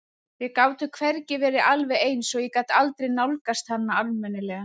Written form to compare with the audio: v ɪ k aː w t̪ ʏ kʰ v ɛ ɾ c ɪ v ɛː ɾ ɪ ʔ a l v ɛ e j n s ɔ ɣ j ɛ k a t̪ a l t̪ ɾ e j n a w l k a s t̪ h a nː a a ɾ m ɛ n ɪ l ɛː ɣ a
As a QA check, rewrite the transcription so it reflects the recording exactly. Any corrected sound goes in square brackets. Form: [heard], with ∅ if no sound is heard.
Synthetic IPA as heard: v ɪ k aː w t̪ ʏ kʰ v ɛ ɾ c ɪ v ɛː ɾ ɪ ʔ a l v ɛ e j n s ɔ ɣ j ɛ k a t̪ a l t̪ ɾ e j n a w l k a s t̪ h a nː a a [l] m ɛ n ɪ l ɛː ɣ a